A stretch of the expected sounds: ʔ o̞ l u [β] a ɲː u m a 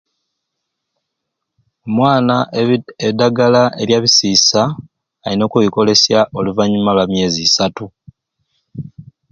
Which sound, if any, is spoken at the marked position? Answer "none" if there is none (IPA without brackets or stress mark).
v